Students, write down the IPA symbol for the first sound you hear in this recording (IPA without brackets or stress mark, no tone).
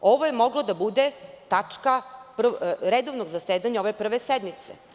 o̞